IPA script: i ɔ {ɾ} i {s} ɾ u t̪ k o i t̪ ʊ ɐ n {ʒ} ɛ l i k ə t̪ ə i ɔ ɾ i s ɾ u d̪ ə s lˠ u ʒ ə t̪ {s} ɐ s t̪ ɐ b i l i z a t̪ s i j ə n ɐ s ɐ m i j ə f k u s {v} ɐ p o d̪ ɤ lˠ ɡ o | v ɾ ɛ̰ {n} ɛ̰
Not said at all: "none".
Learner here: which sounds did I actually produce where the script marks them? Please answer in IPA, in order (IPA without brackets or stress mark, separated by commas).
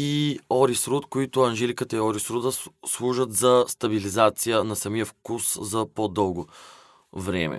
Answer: ɾ, s, ʒ, z, z, m